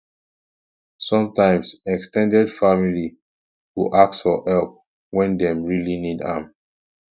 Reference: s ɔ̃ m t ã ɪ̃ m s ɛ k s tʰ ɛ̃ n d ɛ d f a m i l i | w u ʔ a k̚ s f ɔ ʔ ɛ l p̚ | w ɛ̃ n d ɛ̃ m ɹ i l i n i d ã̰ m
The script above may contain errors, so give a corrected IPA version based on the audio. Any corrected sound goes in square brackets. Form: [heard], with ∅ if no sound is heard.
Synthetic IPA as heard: s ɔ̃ m t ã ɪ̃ m s ɛ k s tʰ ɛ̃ n d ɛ d f a m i l i | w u ʔ a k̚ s f ɔ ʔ ɛ l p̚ | w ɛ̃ n d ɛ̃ m ɹ i l i n i d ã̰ m